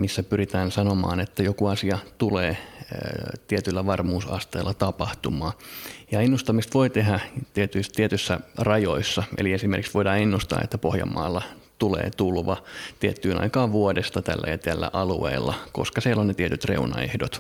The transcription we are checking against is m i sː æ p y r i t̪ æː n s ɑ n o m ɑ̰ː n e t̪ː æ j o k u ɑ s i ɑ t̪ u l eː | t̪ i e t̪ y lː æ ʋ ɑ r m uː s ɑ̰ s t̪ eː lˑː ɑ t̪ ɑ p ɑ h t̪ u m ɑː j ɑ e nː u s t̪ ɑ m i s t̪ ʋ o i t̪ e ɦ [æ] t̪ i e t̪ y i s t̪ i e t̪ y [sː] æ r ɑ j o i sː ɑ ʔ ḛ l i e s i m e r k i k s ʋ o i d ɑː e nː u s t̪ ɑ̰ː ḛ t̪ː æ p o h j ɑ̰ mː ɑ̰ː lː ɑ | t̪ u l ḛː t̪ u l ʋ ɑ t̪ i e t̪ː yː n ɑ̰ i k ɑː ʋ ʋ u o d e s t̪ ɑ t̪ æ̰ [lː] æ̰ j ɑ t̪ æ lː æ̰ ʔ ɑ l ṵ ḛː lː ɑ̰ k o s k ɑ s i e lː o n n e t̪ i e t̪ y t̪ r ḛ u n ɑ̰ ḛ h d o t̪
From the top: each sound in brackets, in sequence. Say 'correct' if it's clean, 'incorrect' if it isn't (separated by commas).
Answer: correct, correct, correct